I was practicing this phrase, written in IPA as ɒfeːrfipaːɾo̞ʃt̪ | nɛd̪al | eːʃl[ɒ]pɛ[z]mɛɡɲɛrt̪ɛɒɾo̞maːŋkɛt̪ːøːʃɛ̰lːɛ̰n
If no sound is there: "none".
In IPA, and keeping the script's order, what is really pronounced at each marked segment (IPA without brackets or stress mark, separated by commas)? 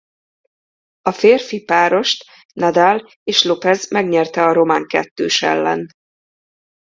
o, z